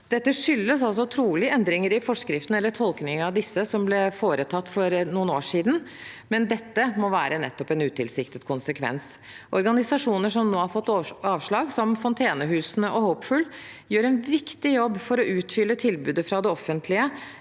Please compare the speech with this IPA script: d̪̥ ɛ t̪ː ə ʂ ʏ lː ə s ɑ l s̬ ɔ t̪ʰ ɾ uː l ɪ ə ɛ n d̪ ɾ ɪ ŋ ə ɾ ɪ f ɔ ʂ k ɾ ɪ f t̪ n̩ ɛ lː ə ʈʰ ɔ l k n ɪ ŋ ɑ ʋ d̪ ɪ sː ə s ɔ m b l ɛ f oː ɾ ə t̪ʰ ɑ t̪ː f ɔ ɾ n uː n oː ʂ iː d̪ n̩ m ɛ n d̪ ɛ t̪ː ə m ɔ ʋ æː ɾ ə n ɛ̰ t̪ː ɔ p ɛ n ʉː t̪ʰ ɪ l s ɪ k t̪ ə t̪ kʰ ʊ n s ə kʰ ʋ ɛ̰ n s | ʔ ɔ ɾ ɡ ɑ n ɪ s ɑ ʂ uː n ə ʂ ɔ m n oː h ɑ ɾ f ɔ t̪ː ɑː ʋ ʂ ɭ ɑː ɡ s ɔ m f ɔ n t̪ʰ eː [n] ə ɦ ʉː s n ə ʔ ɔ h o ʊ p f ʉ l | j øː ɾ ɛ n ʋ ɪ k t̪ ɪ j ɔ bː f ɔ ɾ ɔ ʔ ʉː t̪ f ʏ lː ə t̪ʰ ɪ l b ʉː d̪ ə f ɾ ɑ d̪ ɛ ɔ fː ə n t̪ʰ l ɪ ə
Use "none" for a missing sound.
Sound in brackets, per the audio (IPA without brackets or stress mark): n